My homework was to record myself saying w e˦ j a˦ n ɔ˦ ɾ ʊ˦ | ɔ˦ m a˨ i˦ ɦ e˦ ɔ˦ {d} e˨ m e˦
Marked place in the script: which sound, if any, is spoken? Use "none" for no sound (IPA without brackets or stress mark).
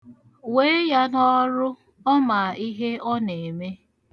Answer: n